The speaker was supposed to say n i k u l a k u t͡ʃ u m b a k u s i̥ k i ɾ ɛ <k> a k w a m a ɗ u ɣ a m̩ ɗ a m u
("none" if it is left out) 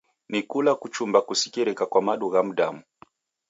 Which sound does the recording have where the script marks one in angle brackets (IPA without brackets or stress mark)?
k